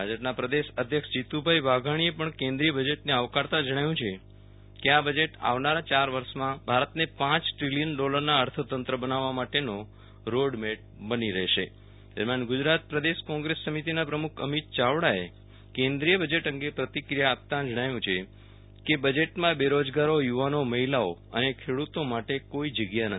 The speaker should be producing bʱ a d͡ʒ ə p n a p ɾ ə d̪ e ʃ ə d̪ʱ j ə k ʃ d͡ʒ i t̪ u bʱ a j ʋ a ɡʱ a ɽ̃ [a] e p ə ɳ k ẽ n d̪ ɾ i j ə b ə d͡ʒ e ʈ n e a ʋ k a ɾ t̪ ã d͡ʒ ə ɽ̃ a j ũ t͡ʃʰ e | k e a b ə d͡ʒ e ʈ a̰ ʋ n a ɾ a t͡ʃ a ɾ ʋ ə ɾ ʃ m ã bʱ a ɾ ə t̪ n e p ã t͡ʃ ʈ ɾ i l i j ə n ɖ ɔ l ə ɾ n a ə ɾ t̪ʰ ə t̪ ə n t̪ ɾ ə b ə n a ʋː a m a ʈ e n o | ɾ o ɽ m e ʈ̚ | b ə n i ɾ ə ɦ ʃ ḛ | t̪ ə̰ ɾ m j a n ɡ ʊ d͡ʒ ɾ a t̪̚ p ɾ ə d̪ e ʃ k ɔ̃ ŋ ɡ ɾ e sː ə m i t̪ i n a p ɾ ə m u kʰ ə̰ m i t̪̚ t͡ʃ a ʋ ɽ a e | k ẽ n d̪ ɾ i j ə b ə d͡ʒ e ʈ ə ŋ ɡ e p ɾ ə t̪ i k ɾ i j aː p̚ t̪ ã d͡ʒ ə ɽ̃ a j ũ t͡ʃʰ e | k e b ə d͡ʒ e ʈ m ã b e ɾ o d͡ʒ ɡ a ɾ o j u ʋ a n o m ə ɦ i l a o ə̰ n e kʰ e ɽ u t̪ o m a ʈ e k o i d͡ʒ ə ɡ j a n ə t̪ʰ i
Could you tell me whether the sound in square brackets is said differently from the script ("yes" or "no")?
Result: yes